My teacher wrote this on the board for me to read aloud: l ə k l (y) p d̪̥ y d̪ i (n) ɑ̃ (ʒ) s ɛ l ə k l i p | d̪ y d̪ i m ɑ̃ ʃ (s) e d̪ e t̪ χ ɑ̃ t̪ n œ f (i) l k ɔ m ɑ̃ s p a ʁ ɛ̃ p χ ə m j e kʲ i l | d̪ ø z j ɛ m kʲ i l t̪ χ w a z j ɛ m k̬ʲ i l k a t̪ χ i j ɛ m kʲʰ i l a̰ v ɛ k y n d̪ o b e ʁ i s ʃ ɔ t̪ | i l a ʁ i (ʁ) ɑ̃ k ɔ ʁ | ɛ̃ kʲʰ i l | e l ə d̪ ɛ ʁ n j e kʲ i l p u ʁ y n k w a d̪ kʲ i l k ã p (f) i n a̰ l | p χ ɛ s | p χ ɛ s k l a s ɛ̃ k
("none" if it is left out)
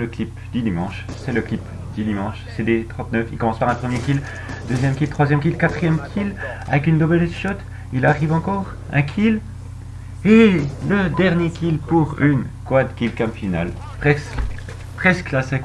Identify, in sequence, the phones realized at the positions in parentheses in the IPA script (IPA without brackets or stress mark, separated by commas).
i, m, ʃ, s, i, v, f